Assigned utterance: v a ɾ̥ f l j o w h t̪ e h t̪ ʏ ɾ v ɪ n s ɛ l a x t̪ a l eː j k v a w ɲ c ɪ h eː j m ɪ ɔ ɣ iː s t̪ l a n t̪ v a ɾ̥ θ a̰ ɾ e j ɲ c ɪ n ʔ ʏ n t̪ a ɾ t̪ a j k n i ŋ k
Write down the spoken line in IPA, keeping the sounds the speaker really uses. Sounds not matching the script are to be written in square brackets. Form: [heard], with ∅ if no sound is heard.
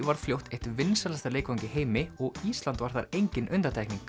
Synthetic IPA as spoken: v a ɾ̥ f l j o w h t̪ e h t̪ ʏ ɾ v ɪ n s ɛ l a [s] t̪ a l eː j k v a w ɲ c ɪ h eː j m ɪ ɔ ɣ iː s t̪ l a n t̪ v a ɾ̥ θ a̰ ɾ e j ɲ c ɪ n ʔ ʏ n t̪ a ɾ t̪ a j k n i ŋ k